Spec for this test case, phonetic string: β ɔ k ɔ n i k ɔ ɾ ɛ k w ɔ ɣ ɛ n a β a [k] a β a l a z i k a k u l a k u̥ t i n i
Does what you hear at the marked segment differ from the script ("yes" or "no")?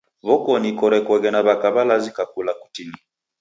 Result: no